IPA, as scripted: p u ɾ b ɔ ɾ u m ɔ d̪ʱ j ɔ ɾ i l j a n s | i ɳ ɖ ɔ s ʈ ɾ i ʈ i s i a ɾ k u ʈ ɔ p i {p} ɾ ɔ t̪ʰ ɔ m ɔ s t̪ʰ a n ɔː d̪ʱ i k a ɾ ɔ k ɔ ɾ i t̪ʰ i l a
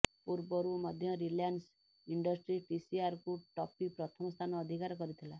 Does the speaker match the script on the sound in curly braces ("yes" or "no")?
yes